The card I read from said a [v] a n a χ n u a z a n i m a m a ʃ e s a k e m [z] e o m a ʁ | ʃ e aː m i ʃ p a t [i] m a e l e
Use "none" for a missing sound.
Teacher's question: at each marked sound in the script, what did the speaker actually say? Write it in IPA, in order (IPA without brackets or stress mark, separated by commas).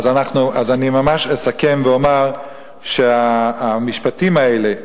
z, v, i